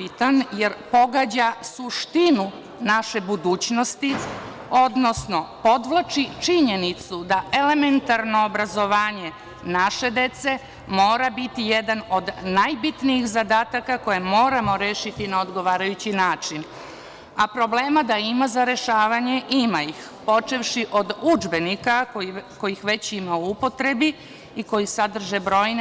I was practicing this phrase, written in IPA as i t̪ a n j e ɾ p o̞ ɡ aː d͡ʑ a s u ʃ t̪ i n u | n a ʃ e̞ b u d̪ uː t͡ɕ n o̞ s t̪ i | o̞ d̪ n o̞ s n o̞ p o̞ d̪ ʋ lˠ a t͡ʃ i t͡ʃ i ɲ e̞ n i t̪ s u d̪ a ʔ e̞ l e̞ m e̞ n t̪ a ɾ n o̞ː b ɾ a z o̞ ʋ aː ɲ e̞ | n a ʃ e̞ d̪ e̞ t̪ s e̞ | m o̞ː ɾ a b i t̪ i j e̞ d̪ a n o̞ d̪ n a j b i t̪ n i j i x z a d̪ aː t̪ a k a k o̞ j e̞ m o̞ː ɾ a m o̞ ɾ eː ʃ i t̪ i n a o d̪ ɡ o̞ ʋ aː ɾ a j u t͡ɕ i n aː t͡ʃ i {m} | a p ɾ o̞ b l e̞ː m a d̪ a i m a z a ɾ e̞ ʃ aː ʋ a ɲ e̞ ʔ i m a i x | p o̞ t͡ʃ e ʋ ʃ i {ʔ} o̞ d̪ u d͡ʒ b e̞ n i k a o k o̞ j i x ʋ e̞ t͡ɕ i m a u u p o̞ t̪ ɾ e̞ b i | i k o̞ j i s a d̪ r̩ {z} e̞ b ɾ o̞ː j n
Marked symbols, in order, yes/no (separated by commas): no, yes, no